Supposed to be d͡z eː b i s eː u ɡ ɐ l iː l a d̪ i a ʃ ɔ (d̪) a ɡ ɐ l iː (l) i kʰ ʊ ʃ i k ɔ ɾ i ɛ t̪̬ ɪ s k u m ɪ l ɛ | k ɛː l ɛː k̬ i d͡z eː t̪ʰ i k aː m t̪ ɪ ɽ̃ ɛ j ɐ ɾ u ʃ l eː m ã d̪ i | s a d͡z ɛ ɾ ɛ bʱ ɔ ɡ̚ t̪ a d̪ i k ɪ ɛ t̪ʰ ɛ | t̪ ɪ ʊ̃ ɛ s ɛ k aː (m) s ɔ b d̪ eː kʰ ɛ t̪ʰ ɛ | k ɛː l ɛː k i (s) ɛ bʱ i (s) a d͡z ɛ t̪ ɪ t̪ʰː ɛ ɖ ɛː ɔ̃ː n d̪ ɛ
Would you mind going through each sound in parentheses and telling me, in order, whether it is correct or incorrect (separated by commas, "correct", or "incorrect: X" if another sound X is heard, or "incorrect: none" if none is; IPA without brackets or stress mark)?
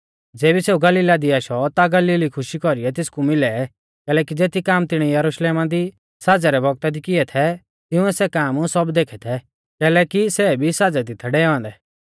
incorrect: t̪, correct, correct, correct, correct